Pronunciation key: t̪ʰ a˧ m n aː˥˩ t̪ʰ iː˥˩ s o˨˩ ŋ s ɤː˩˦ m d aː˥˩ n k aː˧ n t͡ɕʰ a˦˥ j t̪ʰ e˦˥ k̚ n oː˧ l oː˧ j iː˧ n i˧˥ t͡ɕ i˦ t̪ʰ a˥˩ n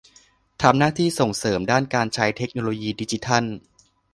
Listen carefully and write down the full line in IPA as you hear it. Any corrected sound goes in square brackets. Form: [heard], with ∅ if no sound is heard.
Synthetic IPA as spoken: t̪ʰ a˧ m n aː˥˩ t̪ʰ iː˥˩ s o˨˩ ŋ s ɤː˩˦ m d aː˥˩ n k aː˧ n t͡ɕʰ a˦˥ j t̪ʰ e˦˥ k̚ n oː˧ l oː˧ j iː˧ [d] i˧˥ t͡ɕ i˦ t̪ʰ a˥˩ n